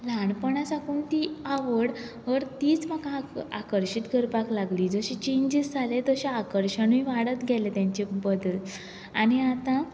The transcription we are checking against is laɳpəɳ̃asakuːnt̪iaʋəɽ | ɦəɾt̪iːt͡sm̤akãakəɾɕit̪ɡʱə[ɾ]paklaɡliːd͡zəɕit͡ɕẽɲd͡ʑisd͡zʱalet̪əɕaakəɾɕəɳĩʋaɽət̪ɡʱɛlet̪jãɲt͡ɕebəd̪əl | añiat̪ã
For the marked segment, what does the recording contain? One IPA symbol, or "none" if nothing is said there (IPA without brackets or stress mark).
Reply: ɾ